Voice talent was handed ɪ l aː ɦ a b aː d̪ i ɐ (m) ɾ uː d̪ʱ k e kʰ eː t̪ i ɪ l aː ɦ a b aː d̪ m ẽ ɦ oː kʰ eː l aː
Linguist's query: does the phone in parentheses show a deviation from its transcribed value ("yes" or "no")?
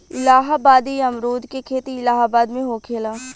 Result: no